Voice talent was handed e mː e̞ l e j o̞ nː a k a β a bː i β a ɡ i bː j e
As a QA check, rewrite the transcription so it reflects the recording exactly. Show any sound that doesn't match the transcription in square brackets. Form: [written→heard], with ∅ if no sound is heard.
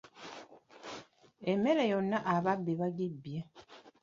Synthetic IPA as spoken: e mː e̞ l e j o̞ nː a [k→ʔ] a β a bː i β a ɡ i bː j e